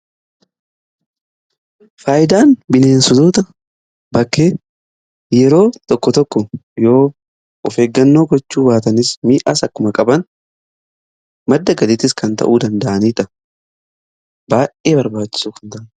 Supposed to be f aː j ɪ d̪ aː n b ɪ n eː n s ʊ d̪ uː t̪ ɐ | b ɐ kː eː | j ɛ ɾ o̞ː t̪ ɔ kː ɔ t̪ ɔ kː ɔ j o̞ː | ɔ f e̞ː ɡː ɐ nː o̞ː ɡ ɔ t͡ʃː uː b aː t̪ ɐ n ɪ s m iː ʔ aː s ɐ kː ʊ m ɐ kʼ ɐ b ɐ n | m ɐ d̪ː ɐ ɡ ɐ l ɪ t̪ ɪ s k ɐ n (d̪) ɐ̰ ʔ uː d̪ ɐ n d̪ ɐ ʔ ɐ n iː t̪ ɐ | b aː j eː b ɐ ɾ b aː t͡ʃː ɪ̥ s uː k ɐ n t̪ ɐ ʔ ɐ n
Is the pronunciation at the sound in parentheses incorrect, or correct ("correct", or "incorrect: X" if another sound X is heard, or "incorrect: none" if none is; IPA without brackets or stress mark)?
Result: incorrect: t̪